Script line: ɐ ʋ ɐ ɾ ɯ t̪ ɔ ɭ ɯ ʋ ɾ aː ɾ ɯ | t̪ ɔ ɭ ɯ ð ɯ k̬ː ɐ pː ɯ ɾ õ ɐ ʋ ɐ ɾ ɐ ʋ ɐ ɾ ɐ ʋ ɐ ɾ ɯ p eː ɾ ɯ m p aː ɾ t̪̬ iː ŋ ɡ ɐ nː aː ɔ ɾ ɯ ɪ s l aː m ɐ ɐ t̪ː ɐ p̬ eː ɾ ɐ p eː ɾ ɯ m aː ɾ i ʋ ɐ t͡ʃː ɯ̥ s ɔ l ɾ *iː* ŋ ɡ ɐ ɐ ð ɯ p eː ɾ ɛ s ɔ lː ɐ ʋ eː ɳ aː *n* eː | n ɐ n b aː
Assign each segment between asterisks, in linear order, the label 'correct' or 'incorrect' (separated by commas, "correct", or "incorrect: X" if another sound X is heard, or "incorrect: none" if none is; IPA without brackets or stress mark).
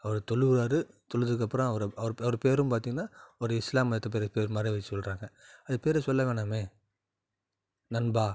incorrect: aː, incorrect: m